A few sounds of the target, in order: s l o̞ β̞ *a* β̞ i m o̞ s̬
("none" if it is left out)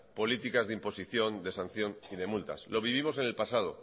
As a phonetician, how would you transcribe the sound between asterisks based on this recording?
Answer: i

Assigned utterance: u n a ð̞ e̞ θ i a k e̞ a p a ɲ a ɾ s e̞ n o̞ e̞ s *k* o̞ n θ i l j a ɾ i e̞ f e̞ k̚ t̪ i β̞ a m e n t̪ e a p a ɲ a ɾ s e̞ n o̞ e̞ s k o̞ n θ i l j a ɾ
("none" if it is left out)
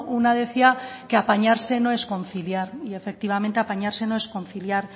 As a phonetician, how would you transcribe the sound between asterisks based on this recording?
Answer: k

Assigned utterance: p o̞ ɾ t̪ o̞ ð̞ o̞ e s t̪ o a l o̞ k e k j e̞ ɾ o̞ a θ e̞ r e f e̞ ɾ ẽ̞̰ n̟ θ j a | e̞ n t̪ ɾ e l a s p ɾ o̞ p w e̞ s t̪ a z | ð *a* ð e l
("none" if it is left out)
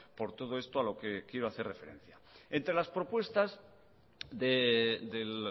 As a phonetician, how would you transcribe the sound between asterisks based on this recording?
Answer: e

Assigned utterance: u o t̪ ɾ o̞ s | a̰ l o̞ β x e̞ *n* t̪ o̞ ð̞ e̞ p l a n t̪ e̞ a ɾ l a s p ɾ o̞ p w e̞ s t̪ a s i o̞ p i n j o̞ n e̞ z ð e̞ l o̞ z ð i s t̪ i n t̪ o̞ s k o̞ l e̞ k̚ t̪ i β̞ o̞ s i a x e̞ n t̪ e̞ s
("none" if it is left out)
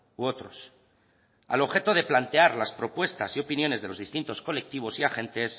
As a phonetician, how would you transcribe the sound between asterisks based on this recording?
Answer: none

